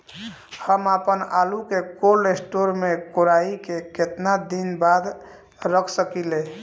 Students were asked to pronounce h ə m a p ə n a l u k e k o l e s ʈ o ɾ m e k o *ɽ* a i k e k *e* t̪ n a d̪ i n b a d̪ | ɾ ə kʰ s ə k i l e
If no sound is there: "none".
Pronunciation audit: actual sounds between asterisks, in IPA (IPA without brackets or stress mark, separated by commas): ɾ, e